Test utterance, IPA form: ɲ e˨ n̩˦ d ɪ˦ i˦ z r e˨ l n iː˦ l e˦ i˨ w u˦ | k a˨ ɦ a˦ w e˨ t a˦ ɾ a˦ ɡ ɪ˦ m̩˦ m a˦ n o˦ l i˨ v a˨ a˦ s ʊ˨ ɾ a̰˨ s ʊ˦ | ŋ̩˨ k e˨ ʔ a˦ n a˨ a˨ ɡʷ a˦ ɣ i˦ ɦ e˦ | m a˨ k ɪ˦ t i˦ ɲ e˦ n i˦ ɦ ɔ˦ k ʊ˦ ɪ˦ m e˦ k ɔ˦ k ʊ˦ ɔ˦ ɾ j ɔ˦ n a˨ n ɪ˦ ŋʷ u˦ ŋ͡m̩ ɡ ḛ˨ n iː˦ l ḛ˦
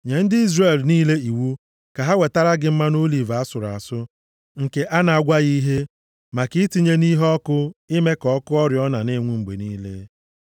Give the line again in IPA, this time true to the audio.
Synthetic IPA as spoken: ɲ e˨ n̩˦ d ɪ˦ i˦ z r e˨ l n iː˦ l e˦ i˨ w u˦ | k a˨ ɦ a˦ w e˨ t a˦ ɾ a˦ ɡ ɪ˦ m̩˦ m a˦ n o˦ l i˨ v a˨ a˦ s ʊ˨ ɾ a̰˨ s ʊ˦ | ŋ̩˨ k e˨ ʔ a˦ n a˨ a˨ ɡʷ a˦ ɣ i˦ ɦ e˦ | m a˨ k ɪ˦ t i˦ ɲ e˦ n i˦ ɦ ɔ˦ k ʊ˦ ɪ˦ m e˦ k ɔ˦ k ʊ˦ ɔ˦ ɾ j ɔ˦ n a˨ n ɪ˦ ŋʷ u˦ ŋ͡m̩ ɡ͡b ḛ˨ n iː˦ l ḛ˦